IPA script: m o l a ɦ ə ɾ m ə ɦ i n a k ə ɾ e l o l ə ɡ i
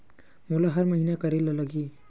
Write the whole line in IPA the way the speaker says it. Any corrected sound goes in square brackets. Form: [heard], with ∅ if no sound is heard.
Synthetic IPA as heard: m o l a ɦ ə ɾ m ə ɦ i n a k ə ɾ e l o l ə ɡ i